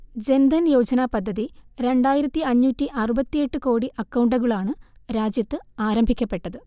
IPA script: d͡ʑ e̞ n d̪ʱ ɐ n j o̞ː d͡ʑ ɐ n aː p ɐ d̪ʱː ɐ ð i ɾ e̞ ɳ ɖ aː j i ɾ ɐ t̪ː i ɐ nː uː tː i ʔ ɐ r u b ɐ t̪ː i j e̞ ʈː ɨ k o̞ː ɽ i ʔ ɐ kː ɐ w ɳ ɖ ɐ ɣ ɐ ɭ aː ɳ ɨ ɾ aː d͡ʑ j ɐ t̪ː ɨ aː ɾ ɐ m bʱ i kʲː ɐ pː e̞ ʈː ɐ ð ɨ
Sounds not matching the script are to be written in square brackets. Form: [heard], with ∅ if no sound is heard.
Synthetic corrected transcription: d͡ʑ e̞ n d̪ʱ ɐ n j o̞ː d͡ʑ ɐ n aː p ɐ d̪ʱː ɐ ð i ɾ e̞ ɳ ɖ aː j i ɾ ɐ t̪ː i ɐ [ɲː] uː tː i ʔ ɐ r u b ɐ t̪ː i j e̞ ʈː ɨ k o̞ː ɽ i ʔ ɐ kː ɐ w ɳ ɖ ɐ ɣ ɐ ɭ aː ɳ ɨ ɾ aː d͡ʑ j ɐ t̪ː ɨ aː ɾ ɐ m bʱ i kʲː ɐ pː e̞ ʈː ɐ ð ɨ